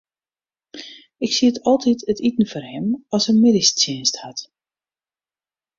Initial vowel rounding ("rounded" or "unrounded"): unrounded